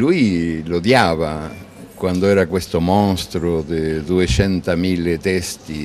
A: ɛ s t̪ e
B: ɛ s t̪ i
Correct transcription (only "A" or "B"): B